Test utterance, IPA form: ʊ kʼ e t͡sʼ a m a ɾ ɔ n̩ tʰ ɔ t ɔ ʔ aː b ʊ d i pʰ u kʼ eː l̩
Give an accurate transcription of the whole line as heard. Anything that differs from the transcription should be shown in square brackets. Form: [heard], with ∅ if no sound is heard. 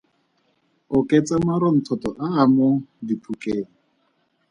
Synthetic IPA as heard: ʊ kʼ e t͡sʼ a m a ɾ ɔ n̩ tʰ ɔ t ɔ ʔ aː [m] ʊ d i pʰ u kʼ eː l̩